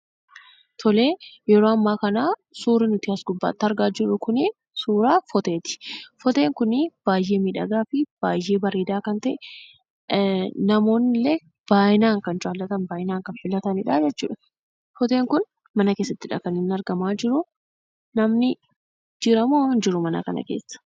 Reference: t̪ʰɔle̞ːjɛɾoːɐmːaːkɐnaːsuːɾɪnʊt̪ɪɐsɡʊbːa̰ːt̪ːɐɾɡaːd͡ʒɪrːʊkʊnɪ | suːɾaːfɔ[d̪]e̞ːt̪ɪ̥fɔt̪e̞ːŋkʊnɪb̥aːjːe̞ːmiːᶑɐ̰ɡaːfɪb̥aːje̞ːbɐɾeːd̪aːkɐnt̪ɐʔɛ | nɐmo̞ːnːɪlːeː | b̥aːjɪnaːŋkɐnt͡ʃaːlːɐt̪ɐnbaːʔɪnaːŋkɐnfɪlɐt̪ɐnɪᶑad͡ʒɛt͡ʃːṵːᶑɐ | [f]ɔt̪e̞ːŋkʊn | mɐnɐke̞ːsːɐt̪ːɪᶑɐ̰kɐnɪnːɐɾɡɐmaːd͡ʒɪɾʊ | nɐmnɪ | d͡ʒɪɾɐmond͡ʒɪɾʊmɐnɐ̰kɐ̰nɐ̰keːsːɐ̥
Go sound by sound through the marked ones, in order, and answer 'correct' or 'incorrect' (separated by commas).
incorrect, correct